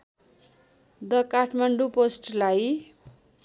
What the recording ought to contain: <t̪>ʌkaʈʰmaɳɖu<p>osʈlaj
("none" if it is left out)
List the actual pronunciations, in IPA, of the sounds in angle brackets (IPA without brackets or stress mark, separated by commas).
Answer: d̪, p